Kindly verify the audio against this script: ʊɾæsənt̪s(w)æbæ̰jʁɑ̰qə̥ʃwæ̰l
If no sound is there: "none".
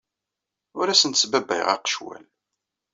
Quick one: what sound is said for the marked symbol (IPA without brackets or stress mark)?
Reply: b